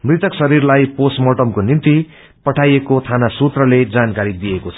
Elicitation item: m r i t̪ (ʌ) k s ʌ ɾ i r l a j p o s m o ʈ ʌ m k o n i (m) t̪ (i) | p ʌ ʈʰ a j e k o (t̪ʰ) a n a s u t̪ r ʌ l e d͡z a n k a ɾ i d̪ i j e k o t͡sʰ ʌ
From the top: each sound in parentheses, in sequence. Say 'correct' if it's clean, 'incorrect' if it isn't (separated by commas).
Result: correct, incorrect, correct, correct